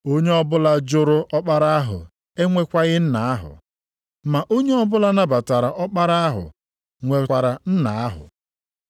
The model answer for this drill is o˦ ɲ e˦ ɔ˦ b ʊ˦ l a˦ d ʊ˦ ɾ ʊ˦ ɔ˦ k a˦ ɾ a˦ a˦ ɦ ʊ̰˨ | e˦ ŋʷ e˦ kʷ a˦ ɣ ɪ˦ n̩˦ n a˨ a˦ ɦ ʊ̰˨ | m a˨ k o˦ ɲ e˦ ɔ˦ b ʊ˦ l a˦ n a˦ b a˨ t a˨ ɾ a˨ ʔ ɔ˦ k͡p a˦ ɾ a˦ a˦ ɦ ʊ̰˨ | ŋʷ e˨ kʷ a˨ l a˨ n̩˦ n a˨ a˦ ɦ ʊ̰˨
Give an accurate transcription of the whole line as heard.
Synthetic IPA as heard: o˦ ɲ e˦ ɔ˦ b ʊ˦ l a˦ d͡ʒ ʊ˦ ɾ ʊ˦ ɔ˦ k͡p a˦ ɾ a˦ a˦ ɦ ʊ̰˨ | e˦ ŋʷ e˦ kʷ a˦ ɣ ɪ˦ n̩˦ n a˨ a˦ ɦ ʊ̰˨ | m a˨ ʔ o˦ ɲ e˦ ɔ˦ b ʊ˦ l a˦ n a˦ b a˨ t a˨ ɾ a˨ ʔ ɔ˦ k͡p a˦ ɾ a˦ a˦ ɦ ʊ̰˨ | ŋʷ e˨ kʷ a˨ ɾ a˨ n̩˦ n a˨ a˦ ɦ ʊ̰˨